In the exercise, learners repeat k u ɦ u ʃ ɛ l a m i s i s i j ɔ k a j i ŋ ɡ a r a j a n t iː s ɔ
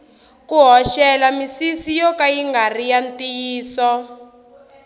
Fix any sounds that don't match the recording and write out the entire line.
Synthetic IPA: k u ɦ ɔ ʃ ɛ l a m i s i s i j ɔ k a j i ŋ ɡ a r i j a n t iː s ɔ